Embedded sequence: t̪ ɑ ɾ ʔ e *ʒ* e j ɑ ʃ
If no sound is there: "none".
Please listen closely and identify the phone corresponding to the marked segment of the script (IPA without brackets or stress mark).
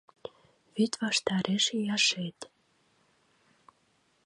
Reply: ʃ